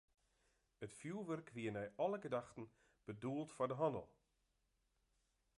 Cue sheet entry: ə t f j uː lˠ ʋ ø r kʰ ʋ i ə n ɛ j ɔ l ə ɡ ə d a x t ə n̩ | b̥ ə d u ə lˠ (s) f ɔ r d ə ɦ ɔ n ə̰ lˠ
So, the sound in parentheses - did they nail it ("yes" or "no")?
no